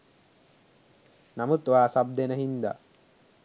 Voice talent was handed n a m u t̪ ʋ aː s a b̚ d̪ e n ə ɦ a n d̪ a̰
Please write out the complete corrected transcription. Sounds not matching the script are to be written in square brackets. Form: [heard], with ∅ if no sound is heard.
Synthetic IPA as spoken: n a m u t̪ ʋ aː s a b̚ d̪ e n ə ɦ [i] n d̪ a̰